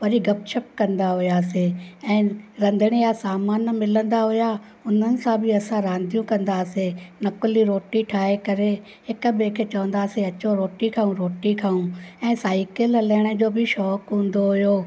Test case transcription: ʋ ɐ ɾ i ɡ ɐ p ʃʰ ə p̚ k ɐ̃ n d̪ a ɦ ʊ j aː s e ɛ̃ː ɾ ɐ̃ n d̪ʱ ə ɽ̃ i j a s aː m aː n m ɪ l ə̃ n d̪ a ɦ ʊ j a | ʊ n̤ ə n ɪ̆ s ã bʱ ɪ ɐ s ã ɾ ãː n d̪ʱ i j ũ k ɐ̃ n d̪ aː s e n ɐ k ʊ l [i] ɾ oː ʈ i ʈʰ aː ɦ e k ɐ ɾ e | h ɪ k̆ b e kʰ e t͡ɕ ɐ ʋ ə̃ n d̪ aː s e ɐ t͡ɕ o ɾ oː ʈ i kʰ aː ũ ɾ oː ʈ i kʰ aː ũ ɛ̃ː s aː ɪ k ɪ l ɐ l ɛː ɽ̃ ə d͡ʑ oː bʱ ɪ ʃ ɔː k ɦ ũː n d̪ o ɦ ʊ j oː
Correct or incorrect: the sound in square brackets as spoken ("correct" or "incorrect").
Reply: correct